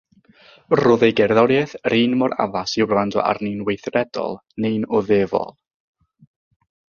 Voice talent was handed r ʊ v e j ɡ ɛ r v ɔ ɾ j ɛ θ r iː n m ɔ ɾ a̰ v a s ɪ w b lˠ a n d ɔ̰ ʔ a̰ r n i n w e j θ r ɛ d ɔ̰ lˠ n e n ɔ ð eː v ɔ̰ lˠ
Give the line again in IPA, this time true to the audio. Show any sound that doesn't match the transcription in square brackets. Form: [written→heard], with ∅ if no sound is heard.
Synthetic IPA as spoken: r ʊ [v→ð] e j ɡ ɛ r [v→ð] ɔ ɾ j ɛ θ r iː n m ɔ ɾ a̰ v a s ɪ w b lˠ a n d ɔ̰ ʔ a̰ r n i n w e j θ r ɛ d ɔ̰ lˠ n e n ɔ ð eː v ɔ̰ lˠ